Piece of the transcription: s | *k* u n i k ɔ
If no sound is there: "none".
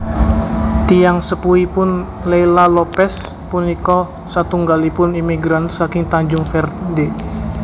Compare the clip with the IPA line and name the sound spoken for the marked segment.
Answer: p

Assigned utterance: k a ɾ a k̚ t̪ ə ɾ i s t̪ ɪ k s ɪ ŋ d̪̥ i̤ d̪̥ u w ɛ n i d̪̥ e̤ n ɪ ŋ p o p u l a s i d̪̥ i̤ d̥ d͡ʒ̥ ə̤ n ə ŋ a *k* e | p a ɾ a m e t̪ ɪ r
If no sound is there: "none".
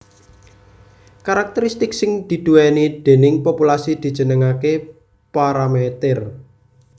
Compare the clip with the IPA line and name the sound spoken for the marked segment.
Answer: k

